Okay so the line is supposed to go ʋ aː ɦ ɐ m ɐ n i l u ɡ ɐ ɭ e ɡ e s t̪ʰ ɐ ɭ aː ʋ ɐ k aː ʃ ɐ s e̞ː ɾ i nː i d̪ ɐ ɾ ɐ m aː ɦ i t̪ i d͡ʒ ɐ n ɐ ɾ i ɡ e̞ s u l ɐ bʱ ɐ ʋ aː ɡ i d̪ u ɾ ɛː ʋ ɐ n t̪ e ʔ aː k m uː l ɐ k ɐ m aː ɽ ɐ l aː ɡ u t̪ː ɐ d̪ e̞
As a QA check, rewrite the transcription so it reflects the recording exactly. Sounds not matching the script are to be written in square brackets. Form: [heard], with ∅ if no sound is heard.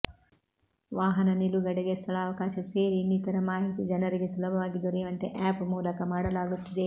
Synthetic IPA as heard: ʋ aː ɦ ɐ [n] ɐ n i l u ɡ ɐ [ɽ] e ɡ e s t̪ʰ ɐ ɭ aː ʋ ɐ k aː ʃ ɐ s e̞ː ɾ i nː i [t̪] ɐ ɾ ɐ m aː ɦ i t̪ i d͡ʒ ɐ n ɐ ɾ i ɡ e̞ s u l ɐ bʱ ɐ ʋ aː ɡ i d̪ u ɾ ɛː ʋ ɐ n t̪ e ʔ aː [p] m uː l ɐ k ɐ m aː ɽ ɐ l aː ɡ u t̪ː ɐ d̪ e̞

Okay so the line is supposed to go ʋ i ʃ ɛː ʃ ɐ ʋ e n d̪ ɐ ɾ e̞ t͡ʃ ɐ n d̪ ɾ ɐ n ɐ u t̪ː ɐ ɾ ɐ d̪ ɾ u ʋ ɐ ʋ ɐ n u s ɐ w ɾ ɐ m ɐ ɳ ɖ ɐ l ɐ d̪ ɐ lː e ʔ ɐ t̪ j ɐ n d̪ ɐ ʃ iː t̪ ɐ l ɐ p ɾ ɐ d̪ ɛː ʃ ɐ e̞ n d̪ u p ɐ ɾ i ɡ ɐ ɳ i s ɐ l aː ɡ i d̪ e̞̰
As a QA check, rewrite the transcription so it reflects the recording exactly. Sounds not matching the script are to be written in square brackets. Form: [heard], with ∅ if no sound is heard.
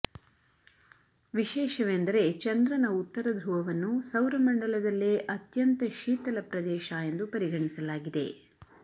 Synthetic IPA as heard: ʋ i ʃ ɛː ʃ ɐ ʋ e n d̪ ɐ ɾ e̞ t͡ʃ ɐ n d̪ ɾ ɐ n ɐ u t̪ː ɐ ɾ ɐ d̪ ɾ u ʋ ɐ ʋ ɐ [nː] u s ɐ w ɾ ɐ m ɐ ɳ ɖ ɐ l ɐ d̪ ɐ lː e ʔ ɐ t̪ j ɐ n [t̪] ɐ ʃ iː t̪ ɐ l ɐ p ɾ ɐ d̪ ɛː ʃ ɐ e̞ n d̪ u p ɐ ɾ i ɡ ɐ ɳ i s ɐ l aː ɡ i d̪ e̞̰

